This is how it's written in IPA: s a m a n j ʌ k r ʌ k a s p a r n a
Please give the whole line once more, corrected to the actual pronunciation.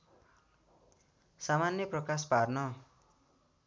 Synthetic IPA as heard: s a m a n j ʌ p r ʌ k a s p a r n ʌ